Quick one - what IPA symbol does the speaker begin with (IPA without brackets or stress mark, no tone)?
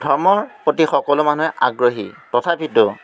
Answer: dʱ